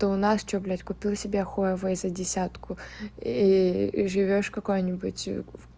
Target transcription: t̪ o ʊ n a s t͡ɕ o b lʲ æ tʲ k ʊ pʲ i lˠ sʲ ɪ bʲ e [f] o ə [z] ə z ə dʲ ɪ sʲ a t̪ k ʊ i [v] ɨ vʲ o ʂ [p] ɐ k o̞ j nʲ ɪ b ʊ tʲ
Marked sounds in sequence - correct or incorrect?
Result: incorrect: x, incorrect: v, incorrect: ʐ, incorrect: k

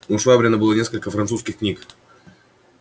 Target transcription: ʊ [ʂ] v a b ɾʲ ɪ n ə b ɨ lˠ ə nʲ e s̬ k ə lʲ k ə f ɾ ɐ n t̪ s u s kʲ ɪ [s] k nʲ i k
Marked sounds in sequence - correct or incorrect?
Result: correct, incorrect: x

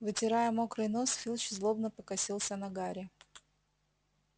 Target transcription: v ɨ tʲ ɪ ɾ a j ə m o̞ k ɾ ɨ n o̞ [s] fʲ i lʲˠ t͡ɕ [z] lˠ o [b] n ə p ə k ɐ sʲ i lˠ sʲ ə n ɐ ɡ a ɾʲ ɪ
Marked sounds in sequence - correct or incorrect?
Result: correct, correct, correct

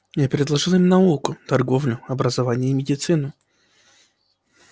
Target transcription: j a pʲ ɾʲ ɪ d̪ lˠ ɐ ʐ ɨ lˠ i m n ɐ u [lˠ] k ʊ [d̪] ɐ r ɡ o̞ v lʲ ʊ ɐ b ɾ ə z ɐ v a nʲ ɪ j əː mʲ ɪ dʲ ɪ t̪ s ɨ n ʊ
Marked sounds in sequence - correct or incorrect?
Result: correct, incorrect: t̪

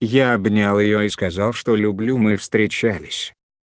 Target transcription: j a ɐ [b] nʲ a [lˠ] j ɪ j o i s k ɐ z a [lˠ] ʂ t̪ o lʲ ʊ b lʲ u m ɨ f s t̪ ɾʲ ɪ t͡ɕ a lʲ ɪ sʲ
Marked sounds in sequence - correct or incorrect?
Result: correct, correct, correct

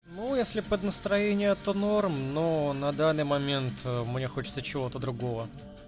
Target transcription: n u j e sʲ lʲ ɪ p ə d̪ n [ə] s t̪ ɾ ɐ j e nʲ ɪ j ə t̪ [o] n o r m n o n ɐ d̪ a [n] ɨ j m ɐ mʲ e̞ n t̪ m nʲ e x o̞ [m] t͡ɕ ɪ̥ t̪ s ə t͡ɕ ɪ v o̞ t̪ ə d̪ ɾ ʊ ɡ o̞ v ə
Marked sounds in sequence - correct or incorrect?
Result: correct, correct, incorrect: nː, incorrect: none

